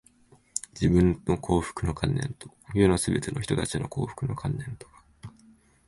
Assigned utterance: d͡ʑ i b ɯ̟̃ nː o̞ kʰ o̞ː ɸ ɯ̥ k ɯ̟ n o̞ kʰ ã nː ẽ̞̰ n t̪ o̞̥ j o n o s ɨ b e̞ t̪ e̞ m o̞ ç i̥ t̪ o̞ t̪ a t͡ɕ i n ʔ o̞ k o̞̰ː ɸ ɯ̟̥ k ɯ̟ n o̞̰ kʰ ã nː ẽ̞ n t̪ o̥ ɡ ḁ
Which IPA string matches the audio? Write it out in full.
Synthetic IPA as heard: d͡ʑ i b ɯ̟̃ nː o̞ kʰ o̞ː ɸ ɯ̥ k ɯ̟ n o̞ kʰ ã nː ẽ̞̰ n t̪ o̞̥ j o n o s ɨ b e̞ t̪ e̞ n o̞ ç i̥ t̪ o̞ t̪ a t͡ɕ i n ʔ o̞ k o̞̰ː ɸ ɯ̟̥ k ɯ̟ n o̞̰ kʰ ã nː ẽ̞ n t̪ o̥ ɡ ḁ